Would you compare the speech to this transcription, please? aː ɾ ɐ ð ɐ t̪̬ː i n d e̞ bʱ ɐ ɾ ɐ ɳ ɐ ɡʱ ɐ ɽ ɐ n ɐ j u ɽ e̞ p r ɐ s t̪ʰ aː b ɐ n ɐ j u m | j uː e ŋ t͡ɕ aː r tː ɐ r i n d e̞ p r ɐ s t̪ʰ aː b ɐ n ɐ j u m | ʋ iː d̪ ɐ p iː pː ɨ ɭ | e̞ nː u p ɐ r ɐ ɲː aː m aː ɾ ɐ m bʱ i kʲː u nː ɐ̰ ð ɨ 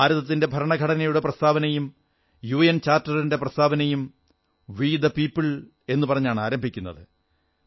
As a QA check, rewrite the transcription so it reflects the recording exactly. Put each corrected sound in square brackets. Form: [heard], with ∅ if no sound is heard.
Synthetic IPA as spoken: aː ɾ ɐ ð ɐ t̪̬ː i n d e̞ bʱ ɐ ɾ ɐ ɳ ɐ ɡʱ ɐ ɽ ɐ n ɐ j u ɽ e̞ p r ɐ s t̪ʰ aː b ɐ n ɐ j u m | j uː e [n] t͡ɕ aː r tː ɐ r i n d e̞ p r ɐ s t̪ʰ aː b ɐ n ɐ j u m | ʋ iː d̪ ɐ p iː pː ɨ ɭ | e̞ nː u p ɐ r ɐ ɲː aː [ɳ] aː ɾ ɐ m bʱ i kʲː u nː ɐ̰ ð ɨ